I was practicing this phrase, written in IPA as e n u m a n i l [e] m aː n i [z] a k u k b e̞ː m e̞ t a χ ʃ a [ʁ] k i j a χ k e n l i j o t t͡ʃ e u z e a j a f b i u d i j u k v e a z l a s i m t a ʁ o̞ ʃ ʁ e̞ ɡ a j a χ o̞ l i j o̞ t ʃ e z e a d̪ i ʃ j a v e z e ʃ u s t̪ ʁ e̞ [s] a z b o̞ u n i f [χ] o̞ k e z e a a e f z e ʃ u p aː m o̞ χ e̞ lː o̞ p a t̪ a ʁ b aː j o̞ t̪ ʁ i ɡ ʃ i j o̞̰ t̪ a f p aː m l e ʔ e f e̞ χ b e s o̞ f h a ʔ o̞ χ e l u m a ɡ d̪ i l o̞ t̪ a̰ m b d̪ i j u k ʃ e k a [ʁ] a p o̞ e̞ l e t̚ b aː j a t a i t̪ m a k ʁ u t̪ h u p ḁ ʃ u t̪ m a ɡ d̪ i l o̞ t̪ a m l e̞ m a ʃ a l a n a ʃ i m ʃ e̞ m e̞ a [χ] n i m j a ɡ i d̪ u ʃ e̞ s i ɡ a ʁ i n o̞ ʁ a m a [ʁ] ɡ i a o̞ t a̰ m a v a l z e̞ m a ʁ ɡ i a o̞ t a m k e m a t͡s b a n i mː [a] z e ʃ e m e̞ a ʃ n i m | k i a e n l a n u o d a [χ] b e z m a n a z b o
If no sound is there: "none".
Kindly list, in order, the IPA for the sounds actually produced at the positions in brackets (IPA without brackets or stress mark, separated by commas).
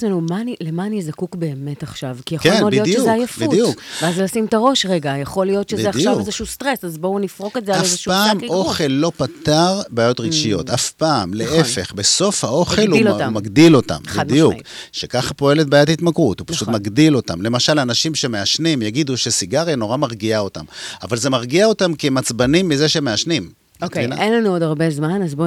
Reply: e, z, v, s, ʁ, χ, ʃ, ʁ, i, ʁ